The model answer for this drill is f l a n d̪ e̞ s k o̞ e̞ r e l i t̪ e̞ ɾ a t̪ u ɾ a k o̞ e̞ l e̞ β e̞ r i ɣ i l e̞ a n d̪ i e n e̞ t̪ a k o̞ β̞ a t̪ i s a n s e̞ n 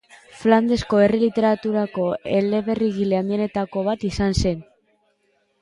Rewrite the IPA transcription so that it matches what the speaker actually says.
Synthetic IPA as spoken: f l a n d̪ e̞ s k o̞ e̞ r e l i t̪ e̞ ɾ a t̪ u ɾ a k o̞ e̞ l e̞ β e̞ r i ɣ i l e̞ a n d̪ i e n e̞ t̪ a k o̞ β̞ a t̪ i s a n s e̞ n